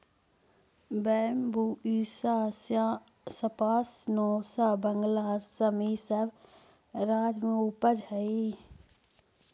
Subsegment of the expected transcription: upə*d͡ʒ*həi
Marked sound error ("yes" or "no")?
no